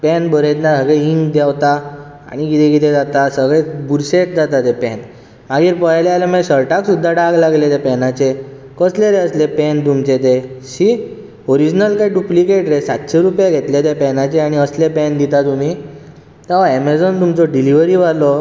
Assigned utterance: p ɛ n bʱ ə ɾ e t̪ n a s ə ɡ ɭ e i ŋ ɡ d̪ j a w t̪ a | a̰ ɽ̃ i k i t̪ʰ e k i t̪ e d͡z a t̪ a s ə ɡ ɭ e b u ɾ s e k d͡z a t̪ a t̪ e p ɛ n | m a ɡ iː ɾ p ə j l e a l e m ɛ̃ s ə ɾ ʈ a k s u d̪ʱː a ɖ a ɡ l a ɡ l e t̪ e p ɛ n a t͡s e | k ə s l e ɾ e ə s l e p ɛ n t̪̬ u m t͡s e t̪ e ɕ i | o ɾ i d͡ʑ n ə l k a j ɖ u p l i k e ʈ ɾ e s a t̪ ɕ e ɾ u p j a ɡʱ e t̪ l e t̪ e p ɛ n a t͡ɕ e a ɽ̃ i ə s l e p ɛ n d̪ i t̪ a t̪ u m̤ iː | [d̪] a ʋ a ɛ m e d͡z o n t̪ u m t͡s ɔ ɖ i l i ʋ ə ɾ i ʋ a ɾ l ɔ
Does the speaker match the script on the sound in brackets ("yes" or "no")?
no